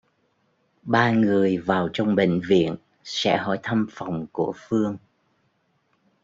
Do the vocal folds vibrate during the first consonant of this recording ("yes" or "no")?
yes